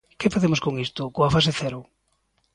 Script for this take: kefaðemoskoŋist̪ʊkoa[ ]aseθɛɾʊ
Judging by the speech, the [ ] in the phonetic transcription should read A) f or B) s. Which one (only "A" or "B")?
A